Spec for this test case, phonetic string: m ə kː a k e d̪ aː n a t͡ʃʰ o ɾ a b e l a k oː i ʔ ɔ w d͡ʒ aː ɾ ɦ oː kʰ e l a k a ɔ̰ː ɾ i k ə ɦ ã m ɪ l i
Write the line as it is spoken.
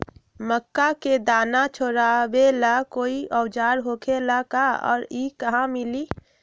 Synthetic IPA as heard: m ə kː a k e d̪ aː n a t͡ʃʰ o ɾ a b e l a k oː i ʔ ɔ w d͡ʒ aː ɾ ɦ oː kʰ e l a k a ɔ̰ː ɾ i k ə ɦ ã m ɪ l i